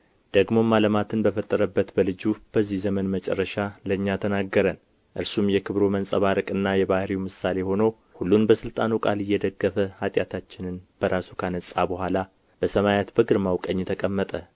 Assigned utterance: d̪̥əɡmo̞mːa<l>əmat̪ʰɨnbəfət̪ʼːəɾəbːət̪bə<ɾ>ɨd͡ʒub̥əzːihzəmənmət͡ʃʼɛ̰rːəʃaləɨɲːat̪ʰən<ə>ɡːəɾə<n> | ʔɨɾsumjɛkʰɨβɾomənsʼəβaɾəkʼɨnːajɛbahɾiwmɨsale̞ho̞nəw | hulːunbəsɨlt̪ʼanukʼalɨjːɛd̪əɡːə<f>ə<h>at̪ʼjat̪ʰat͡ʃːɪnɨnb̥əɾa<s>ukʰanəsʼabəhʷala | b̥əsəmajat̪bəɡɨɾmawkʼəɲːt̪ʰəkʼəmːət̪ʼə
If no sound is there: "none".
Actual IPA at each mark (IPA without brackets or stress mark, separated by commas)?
l, l, a, n, f, h, s